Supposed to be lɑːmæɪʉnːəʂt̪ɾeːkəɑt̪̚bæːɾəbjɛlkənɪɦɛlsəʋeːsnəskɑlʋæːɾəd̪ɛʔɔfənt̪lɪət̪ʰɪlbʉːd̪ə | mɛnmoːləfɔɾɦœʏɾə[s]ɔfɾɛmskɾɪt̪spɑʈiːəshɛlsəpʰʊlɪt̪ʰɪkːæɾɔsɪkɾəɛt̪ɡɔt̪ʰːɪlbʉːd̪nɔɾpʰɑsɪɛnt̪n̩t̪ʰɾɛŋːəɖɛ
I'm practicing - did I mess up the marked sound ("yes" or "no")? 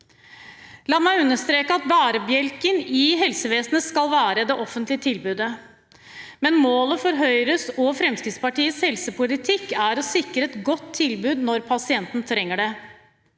no